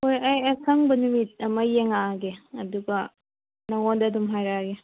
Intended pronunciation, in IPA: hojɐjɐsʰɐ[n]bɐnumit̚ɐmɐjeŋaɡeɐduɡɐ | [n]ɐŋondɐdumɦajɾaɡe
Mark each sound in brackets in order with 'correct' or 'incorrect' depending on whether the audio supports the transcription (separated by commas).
incorrect, correct